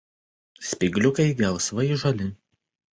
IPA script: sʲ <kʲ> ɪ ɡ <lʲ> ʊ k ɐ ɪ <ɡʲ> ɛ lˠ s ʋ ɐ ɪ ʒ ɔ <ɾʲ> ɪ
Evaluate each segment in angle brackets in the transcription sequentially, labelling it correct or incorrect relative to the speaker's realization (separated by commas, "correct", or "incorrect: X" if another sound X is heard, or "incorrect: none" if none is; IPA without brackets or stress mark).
incorrect: pʲ, correct, correct, incorrect: lʲ